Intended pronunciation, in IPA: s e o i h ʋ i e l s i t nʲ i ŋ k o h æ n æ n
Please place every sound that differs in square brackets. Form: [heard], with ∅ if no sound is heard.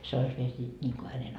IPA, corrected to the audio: s e o i [s] ʋ i e l s [iː] t nʲ [iː] ŋ k o h æ n [e] n